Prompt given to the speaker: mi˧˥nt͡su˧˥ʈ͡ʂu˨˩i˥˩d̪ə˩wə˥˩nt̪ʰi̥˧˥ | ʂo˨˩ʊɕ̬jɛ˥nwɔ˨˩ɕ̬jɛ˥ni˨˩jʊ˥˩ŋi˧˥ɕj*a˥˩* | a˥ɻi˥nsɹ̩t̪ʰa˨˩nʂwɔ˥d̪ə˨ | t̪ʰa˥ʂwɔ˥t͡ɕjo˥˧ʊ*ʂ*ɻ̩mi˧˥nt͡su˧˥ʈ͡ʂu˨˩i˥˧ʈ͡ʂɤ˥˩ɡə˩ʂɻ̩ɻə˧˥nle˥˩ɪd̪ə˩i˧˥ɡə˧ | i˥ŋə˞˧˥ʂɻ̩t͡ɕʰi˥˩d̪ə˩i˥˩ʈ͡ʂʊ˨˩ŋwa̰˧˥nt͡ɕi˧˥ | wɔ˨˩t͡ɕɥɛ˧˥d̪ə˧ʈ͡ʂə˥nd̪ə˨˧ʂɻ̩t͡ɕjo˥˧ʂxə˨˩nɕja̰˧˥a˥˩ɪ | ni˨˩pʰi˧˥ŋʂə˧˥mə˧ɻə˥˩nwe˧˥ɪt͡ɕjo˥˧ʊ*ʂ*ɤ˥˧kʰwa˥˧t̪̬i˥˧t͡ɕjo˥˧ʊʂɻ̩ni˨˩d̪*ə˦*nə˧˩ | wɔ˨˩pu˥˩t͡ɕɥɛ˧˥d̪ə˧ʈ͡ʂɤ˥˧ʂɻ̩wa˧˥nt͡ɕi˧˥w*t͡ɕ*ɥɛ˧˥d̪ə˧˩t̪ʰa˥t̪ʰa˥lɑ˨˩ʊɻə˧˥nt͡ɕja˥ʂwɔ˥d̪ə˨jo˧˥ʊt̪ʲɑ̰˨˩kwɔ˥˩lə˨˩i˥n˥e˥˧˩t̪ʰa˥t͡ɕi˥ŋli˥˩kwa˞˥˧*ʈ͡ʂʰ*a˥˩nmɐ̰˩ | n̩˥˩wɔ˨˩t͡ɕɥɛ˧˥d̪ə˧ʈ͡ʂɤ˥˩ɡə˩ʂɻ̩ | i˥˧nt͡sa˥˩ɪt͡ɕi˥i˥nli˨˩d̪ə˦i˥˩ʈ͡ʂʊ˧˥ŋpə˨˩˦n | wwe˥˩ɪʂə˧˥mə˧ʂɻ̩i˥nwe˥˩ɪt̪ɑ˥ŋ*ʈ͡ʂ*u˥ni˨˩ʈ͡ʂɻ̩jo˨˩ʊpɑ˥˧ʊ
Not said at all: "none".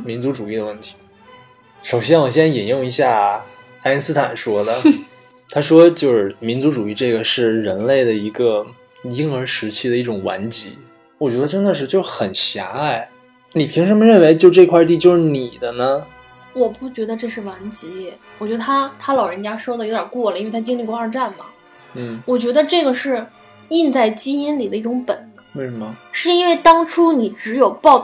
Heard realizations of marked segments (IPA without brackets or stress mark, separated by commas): a˥˩, ʂ, ʈ͡ʂ, ə˦, t͡ɕ, ʈ͡ʂ, ʈ͡ʂʰ